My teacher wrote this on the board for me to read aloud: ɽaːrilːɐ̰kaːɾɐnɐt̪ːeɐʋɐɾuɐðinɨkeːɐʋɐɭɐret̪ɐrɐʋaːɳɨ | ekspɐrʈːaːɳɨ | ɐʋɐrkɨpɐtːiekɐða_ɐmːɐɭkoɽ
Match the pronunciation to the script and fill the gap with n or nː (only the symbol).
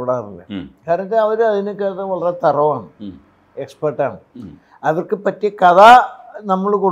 n